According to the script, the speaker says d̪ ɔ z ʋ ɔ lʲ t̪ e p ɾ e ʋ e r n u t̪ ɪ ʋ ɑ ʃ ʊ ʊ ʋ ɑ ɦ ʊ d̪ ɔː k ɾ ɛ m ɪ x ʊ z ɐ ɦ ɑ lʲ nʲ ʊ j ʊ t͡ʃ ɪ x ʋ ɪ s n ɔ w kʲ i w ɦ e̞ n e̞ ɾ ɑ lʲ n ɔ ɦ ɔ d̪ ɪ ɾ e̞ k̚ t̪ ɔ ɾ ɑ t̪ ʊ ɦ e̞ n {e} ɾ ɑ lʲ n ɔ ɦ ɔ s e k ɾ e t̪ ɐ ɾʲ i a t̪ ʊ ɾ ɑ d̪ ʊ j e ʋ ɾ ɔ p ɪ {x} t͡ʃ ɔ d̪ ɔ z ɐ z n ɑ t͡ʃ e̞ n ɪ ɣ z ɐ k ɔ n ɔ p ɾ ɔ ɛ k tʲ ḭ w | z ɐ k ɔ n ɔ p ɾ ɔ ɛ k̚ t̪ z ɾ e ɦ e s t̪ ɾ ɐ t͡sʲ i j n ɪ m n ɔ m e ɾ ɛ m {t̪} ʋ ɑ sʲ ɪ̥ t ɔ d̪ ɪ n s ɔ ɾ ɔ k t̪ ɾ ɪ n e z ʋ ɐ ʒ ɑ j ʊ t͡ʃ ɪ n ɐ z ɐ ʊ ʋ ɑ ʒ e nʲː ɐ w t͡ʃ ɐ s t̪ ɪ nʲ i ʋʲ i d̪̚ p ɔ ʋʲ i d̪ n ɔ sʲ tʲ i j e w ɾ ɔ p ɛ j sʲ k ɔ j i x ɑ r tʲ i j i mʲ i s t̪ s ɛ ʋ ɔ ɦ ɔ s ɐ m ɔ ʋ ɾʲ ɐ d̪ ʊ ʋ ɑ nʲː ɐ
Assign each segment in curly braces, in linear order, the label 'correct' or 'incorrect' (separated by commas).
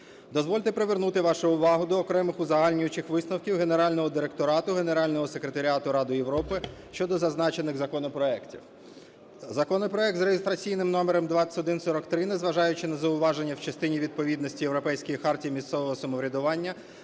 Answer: correct, incorrect, incorrect